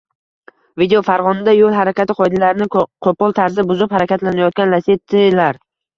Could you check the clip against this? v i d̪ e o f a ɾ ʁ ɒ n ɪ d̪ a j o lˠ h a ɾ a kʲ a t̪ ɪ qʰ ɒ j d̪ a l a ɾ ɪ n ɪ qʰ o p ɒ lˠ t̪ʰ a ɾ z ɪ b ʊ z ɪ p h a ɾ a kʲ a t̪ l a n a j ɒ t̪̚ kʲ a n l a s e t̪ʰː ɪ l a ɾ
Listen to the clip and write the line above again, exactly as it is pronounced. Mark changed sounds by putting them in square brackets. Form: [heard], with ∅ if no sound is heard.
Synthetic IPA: v i d̪ e o f a ɾ ʁ ɒ n ɪ d̪ a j o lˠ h a ɾ a kʲ a t̪ ɪ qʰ ɒ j d̪ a l a ɾ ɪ n ɪ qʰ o p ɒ lˠ t̪ʰ a ɾ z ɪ b ʊ z ɪ p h a ɾ a kʲ a t̪ l a n a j ɒ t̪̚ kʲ a n l a s e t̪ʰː ɪ l a ɾ